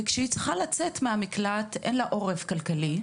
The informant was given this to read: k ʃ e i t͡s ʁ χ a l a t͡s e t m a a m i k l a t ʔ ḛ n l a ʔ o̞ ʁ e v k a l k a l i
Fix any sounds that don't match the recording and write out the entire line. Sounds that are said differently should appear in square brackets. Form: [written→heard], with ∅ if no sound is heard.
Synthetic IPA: k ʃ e i t͡s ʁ χ a l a t͡s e t m [a→e] a m i k l a t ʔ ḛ n l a ʔ o̞ ʁ e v k a l k a l i